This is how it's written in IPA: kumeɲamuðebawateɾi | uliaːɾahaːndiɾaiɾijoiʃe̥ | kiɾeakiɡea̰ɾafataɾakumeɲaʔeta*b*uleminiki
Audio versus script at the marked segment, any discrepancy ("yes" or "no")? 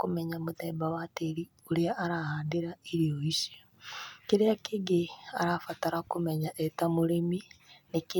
yes